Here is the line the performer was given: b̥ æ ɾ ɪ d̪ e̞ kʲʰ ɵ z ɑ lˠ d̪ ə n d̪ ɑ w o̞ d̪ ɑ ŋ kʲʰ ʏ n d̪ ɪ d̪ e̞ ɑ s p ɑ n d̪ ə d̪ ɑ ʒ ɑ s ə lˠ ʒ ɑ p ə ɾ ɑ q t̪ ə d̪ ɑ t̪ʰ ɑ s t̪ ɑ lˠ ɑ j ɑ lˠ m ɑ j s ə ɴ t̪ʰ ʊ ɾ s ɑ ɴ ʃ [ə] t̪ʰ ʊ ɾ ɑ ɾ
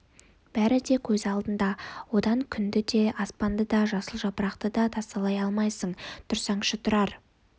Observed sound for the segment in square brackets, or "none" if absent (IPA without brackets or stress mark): ə